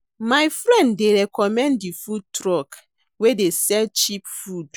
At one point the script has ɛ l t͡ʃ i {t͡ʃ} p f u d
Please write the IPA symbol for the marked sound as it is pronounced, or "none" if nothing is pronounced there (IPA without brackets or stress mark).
none